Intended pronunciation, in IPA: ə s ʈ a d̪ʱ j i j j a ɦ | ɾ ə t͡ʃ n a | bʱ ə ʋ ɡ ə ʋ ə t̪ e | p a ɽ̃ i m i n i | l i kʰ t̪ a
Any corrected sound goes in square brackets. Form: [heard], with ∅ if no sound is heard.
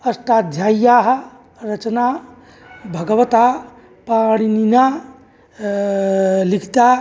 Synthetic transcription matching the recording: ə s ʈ a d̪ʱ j [a] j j a ɦ | ɾ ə t͡ʃ n a | bʱ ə [∅] ɡ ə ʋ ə t̪ [a] | p a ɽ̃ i [n] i n [a] | l i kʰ t̪ a